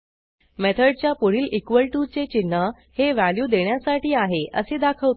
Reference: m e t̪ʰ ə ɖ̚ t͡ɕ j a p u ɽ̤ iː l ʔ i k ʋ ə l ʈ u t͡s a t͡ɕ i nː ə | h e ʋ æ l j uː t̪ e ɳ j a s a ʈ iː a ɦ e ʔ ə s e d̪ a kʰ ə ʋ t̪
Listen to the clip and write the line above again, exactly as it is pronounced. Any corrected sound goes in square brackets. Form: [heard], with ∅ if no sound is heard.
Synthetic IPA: m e t̪ʰ ə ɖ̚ t͡ɕ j a p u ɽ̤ iː l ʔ i k ʋ ə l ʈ u t͡s [e] t͡ɕ i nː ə | h e ʋ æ l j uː [d̪] e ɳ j a s a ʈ iː a ɦ e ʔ ə s e d̪ a kʰ ə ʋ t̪

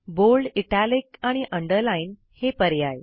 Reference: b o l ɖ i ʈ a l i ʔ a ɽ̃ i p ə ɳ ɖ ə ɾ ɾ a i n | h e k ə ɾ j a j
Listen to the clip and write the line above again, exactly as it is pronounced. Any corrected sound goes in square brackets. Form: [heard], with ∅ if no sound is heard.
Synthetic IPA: b o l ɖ i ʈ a l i [k] a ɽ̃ i [ʔ] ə ɳ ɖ ə ɾ [l] a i n | h e [p] ə ɾ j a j

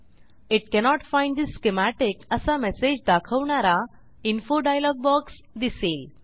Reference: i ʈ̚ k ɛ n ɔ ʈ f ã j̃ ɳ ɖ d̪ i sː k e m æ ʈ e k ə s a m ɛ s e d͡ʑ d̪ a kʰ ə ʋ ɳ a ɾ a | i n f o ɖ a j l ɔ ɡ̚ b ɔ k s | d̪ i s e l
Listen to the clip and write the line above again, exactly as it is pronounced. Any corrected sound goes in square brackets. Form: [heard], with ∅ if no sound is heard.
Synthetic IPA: i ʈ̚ k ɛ n ɔ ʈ f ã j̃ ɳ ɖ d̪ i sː k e m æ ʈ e k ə s a m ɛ s e d͡ʑ d̪ a kʰ ə ʋ ɳ a ɾ a | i n f o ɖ a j l ɔ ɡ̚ b ɔ k s | d̪ i s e l

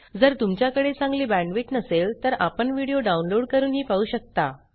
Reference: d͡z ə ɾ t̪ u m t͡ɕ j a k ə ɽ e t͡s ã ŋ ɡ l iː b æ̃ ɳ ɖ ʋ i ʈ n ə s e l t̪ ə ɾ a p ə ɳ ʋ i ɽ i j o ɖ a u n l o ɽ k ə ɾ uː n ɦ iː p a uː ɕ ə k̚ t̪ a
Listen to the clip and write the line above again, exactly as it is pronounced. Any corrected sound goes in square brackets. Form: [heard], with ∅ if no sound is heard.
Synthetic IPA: d͡z ə ɾ t̪ u m t͡ɕ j a k ə ɽ e t͡s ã ŋ ɡ l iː b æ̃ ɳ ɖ ʋ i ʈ n ə s e l t̪ ə ɾ a p ə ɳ ʋ i ɽ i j o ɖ a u n l o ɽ k ə ɾ uː n ɦ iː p a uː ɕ ə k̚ t̪ a

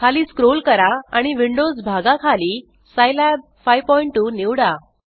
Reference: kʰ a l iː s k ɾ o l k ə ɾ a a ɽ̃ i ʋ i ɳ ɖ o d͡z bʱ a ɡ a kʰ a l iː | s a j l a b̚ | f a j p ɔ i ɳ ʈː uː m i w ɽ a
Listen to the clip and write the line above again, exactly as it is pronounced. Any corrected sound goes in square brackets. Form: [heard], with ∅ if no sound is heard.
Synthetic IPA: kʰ a l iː s k ɾ o l k ə ɾ a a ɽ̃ i ʋ i ɳ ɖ o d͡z bʱ a ɡ a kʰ a l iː | s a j l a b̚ | f a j p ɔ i ɳ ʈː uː [n] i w ɽ a

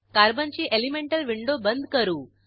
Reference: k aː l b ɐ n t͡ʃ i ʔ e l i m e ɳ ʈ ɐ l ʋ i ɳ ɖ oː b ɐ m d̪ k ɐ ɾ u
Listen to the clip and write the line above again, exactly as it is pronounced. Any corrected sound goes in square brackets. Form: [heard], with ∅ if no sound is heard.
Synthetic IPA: k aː [ɾ] b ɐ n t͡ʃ i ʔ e l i m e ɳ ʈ ɐ l ʋ i ɳ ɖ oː b ɐ [n] d̪ k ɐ ɾ u

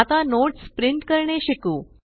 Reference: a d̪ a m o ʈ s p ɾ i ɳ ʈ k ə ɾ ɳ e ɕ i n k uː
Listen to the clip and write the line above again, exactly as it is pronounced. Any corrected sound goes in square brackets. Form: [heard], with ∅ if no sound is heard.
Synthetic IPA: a [t̪] a [n] o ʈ s p ɾ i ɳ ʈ k ə ɾ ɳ e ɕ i [∅] k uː

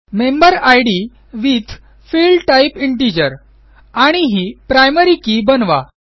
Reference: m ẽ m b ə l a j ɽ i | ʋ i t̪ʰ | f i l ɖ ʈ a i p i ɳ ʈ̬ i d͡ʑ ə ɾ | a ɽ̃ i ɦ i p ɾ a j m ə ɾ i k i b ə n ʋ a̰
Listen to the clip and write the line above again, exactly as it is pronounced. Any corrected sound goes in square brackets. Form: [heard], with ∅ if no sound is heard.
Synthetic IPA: m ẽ m b ə [ɾ] a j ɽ i | ʋ i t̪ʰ | f i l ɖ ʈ a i p i ɳ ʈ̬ i d͡ʑ ə ɾ | a ɽ̃ i ɦ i p ɾ a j m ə ɾ i k i b ə n ʋ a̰

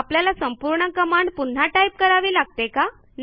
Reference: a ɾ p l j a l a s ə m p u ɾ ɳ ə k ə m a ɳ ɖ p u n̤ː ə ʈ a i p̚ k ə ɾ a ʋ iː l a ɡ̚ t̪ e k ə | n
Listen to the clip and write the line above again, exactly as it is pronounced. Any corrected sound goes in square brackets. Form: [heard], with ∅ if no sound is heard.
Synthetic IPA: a [∅] p l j a l a s ə m p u ɾ ɳ ə k ə m a ɳ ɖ p u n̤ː [a] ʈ a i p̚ k ə ɾ a ʋ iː l a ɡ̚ t̪ e k [a] | n

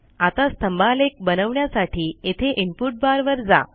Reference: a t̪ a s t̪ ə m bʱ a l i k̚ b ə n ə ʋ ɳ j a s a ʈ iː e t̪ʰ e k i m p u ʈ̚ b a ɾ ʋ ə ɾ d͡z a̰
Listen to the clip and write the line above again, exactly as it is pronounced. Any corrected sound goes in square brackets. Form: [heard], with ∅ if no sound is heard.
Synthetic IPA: a t̪ a s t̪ ə m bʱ a l [e] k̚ b ə n ə ʋ ɳ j a s a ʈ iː e t̪ʰ e [ʔ] i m p u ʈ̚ b a ɾ ʋ ə ɾ d͡z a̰

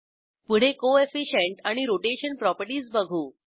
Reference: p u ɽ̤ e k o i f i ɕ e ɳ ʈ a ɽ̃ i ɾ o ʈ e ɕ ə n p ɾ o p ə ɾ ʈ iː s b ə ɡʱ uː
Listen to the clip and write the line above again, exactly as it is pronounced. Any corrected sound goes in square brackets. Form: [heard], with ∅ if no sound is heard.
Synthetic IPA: p u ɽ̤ e k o [e] f i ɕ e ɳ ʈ a ɽ̃ i ɾ o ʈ e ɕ ə n p ɾ [ɔ] p ə ɾ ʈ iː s b ə ɡʱ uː

